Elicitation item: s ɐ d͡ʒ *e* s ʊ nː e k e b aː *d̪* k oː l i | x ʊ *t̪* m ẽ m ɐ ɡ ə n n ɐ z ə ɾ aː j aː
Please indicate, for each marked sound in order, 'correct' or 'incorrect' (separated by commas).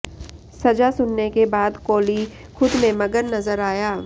incorrect, correct, incorrect